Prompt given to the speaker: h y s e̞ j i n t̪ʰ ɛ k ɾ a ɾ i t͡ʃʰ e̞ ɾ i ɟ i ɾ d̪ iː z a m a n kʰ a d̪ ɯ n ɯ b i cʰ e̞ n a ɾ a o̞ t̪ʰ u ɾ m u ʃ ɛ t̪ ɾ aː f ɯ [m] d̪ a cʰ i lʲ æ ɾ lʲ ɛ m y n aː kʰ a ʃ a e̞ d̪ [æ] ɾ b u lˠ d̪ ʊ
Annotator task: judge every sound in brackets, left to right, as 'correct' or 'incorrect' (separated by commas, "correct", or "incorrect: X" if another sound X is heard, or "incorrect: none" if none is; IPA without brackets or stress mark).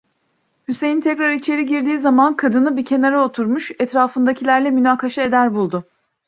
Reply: incorrect: n, correct